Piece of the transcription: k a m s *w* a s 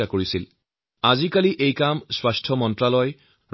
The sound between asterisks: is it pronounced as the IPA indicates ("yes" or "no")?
yes